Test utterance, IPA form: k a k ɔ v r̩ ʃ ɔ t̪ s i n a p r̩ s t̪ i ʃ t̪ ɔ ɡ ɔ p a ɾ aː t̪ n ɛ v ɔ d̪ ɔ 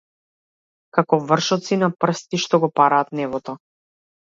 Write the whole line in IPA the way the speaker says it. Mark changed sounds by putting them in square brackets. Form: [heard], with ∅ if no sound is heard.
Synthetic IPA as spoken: k a k ɔ v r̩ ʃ ɔ t̪ s i n a p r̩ s t̪ i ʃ t̪ ɔ ɡ ɔ p a ɾ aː t̪ n ɛ v ɔ [t̪] ɔ